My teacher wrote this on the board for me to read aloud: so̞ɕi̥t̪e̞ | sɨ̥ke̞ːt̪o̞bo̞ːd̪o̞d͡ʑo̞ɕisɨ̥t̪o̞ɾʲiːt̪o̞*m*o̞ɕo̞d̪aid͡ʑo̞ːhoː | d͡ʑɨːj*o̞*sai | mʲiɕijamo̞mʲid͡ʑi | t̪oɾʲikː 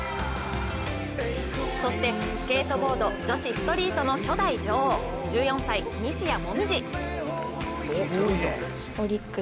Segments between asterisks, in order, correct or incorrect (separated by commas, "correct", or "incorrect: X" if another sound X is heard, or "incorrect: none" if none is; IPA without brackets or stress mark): incorrect: n, incorrect: õ̞